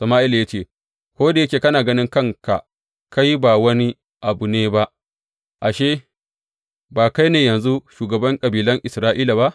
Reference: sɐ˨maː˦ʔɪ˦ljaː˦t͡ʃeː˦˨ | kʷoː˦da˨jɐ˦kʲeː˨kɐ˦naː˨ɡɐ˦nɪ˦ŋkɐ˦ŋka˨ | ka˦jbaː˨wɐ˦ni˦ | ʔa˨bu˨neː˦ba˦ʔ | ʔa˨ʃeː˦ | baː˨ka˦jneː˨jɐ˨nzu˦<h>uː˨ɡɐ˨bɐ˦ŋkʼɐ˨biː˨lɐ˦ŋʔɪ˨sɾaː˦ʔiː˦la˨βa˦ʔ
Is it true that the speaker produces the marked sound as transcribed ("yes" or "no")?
no